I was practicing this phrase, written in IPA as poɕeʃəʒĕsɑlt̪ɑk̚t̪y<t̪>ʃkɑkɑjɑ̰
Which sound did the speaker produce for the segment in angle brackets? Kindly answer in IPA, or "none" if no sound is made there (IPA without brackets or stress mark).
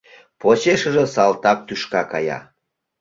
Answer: none